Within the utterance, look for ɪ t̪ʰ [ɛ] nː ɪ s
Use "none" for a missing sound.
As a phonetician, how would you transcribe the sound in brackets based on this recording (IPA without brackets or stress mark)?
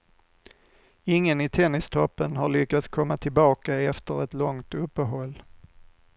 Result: ɛ